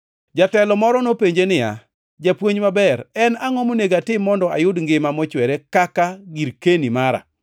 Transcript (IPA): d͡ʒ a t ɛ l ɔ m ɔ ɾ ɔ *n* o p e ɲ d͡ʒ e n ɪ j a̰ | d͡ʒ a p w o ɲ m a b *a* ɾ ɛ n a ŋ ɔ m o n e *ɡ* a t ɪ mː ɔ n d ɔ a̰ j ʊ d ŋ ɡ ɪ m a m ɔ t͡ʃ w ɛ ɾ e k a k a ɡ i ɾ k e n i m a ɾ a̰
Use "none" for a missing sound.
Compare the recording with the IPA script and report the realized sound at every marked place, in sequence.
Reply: n, ɛ, ɡ

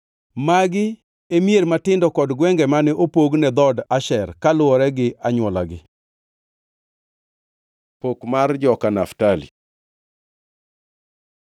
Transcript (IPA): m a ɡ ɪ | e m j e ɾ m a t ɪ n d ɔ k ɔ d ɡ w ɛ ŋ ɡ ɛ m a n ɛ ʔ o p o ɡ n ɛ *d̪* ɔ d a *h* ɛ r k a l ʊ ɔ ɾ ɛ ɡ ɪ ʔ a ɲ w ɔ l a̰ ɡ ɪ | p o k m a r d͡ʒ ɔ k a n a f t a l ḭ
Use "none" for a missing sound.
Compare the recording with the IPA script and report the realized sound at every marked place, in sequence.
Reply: d̪, ʃ

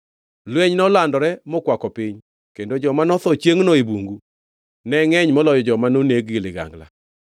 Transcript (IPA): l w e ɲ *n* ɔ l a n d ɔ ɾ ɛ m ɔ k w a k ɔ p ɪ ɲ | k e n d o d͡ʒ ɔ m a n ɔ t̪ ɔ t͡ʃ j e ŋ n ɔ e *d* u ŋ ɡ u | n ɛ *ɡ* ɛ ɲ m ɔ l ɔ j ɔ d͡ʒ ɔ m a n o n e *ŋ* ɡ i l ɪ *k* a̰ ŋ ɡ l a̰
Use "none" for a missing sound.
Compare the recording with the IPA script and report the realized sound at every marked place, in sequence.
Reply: n, b, ŋ, ɡ, ɡ

